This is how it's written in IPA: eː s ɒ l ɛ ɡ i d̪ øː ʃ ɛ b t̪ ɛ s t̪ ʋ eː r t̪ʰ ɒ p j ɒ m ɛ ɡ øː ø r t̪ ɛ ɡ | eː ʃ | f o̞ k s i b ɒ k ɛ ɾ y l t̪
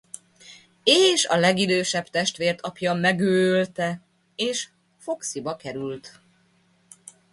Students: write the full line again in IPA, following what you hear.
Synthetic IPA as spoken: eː ʃ ɒ l ɛ ɡ i d̪ øː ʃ ɛ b t̪ ɛ ʃ t̪ ʋ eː r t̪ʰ ɒ p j ɒ m ɛ ɡ øː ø l t̪ ɛ | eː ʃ | f o̞ k s i b ɒ k ɛ ɾ y l t̪